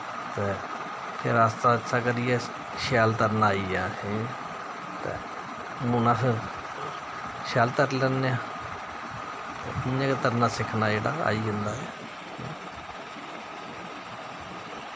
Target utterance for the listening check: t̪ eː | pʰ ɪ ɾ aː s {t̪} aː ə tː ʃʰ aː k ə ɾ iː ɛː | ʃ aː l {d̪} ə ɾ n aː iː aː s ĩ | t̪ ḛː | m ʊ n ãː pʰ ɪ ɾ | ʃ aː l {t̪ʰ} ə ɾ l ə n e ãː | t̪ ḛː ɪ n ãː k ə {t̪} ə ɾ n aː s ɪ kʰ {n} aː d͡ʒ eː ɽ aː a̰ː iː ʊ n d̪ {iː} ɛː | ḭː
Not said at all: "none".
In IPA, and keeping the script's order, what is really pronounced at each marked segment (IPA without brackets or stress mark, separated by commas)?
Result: t̪, t̪, t̪, t̪, n, aː